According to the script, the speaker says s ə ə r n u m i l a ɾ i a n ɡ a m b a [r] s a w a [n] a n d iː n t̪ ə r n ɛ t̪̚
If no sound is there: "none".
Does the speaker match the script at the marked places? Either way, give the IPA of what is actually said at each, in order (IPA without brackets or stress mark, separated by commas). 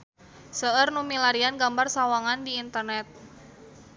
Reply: r, ŋ